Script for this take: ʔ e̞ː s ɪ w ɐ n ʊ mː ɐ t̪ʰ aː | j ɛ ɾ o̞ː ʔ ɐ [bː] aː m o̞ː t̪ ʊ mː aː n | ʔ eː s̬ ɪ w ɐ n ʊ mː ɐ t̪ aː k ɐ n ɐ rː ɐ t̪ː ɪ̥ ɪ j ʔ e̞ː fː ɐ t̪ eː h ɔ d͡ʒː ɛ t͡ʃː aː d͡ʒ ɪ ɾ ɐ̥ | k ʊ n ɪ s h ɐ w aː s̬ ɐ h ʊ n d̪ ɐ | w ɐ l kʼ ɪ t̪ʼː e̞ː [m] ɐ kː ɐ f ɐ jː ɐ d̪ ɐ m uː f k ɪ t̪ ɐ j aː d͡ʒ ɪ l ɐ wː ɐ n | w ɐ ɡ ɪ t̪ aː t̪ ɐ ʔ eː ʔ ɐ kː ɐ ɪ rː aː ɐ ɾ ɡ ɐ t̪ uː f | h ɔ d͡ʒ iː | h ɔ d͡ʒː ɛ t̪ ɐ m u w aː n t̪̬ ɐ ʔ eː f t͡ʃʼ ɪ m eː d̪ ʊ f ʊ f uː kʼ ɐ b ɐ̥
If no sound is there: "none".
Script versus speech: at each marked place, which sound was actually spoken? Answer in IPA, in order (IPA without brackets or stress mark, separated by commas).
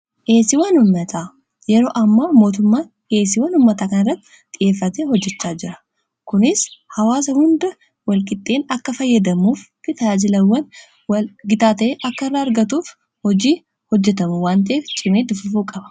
mː, n